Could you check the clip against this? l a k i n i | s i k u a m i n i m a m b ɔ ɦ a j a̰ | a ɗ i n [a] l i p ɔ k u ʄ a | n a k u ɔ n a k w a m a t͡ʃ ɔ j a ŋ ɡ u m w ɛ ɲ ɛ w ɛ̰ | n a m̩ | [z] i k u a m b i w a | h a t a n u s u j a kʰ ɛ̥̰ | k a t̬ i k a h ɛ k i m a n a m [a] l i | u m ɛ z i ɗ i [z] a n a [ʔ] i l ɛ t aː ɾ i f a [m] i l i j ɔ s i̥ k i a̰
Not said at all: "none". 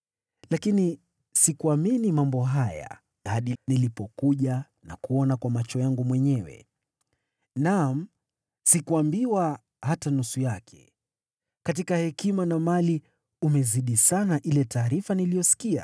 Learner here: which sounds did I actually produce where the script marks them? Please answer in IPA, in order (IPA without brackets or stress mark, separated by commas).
i, s, a, s, ʔ, n